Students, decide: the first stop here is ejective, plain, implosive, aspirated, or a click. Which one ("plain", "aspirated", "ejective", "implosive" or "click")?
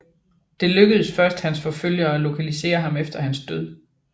plain